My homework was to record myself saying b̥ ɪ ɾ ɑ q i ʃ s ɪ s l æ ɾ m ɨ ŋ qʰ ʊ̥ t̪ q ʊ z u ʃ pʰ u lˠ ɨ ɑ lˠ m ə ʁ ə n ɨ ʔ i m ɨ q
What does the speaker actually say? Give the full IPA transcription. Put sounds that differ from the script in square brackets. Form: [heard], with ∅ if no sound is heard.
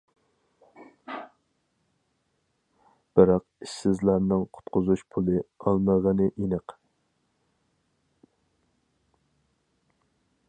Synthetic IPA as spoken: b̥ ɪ ɾ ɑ q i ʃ s ɪ [z] l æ ɾ [n] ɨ ŋ qʰ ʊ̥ t̪ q ʊ z u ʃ pʰ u lˠ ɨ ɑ lˠ m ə ʁ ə n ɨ ʔ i [n] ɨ q